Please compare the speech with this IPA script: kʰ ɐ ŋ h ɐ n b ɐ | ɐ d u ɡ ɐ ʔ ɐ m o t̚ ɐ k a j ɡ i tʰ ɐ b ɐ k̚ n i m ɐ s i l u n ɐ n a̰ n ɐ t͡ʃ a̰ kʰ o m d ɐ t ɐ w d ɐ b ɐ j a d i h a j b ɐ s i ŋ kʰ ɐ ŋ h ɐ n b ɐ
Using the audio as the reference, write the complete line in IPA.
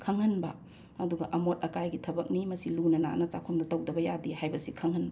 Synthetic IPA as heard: kʰ ɐ ŋ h ɐ n b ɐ | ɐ d u ɡ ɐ ʔ ɐ m o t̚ ɐ k a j ɡ i tʰ ɐ b ɐ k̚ n i m ɐ s i l u n ɐ n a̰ n ɐ t͡ʃ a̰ kʰ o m d ɐ t ɐ w d ɐ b ɐ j a d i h a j b ɐ s i kʰ ɐ ŋ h ɐ n b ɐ